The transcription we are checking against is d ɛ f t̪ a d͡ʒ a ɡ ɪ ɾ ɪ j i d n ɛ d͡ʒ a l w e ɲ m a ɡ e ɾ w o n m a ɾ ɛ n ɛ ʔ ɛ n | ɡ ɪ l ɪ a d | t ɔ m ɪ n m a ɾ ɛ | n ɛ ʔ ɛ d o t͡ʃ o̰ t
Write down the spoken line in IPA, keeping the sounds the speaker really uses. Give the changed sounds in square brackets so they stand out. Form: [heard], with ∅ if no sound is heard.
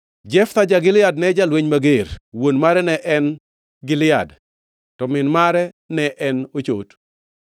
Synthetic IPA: [d͡ʒ] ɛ f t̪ a d͡ʒ a ɡ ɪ [l] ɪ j [a] d n ɛ d͡ʒ a l w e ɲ m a ɡ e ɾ w o n m a ɾ ɛ n ɛ ʔ ɛ n | ɡ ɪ l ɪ a d | t ɔ m ɪ n m a ɾ ɛ | n ɛ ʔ ɛ [n] o t͡ʃ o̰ t

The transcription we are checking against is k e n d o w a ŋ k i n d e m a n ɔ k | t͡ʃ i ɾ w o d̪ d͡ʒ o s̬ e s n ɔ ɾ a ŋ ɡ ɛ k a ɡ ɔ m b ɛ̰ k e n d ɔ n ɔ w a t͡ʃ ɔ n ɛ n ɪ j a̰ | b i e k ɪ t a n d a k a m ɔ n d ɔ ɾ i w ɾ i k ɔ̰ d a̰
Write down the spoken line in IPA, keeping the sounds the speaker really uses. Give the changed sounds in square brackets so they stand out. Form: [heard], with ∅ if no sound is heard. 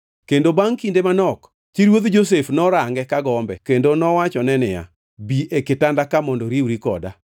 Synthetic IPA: k e n d o [b] a ŋ k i n d e m a n ɔ k | t͡ʃ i ɾ w o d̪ d͡ʒ o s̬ e [f] n ɔ ɾ a ŋ ɡ ɛ k a ɡ ɔ m b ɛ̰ k e n d [o] n ɔ w a t͡ʃ ɔ n ɛ n ɪ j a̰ | b i e k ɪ t a n d a k a m ɔ n d ɔ ɾ i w ɾ i k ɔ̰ d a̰

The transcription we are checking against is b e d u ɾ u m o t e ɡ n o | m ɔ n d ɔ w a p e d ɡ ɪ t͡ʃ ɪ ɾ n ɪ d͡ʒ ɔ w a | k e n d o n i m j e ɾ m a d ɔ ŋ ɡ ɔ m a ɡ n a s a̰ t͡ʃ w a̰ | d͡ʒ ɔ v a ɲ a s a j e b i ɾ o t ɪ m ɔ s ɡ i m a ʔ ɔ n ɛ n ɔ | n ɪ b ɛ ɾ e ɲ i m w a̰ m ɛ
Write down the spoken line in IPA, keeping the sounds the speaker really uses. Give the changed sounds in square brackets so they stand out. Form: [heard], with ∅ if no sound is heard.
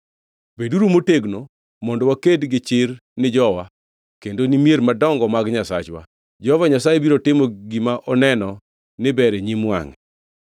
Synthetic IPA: b e d u ɾ u m o t e ɡ n o | m ɔ n d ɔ w a [k] e d ɡ ɪ t͡ʃ ɪ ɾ n ɪ d͡ʒ ɔ w a | k e n d o n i m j e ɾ m a d ɔ ŋ ɡ ɔ m a ɡ [ɲ] a s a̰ t͡ʃ w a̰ | d͡ʒ ɔ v a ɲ a s a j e b i ɾ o t ɪ m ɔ [∅] ɡ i m a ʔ ɔ n ɛ n ɔ | n ɪ b ɛ ɾ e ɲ i m w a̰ [ŋ] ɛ

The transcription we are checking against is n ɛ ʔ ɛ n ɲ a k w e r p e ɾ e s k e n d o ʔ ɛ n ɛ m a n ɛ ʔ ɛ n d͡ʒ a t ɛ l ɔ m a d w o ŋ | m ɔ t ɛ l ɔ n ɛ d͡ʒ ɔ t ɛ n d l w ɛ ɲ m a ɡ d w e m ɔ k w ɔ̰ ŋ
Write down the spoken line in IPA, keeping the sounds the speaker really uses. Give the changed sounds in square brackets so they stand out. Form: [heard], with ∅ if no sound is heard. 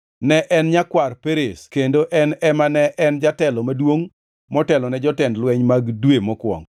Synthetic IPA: n ɛ ʔ ɛ n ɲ a k w [a] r p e ɾ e s k e n d o ʔ ɛ n ɛ m a n ɛ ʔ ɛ n d͡ʒ a t ɛ l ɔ m a d w o ŋ | m ɔ t ɛ l ɔ n ɛ d͡ʒ ɔ t ɛ n d l w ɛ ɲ m a ɡ d w e m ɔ k w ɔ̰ ŋ

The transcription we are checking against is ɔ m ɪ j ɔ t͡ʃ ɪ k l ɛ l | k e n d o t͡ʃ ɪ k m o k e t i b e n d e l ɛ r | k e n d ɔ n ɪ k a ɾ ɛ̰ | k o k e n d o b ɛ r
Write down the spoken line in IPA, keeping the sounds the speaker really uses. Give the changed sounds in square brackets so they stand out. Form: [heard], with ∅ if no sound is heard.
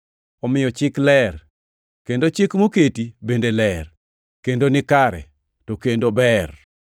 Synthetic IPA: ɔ m ɪ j ɔ t͡ʃ ɪ k l ɛ [r] | k e n d o t͡ʃ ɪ k m o k e t i b e n d e l ɛ r | k e n d [o] n ɪ k a ɾ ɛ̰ | [t] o k e n d o b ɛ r

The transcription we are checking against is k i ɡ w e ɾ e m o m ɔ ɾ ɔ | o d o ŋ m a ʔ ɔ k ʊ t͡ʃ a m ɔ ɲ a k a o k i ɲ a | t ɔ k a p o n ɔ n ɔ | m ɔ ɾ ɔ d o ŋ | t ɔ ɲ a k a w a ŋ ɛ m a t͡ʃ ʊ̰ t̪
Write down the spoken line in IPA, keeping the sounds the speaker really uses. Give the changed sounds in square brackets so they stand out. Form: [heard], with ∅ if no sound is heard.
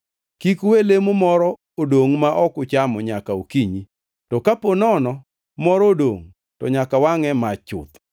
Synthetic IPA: k i [k] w e [l] e m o m ɔ ɾ ɔ | o d o ŋ m a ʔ ɔ k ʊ t͡ʃ a m ɔ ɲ a k a o k i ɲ [i] | t ɔ k a p o n ɔ n ɔ | m ɔ ɾ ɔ d o ŋ | t ɔ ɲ a k a w a ŋ ɛ m a t͡ʃ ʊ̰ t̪

